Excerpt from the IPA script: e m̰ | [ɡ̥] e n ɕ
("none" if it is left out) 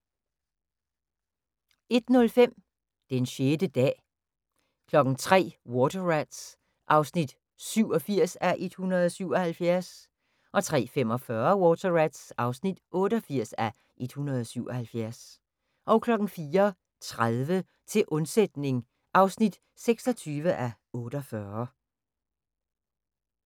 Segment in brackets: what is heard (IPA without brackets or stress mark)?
d̥